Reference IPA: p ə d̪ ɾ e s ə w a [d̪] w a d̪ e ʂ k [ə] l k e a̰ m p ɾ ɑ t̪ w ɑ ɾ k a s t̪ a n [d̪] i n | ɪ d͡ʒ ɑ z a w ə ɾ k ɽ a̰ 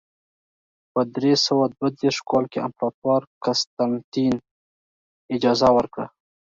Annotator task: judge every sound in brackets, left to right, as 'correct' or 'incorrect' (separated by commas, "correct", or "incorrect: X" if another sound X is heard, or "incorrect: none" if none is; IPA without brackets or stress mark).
correct, incorrect: ɑ, incorrect: t̪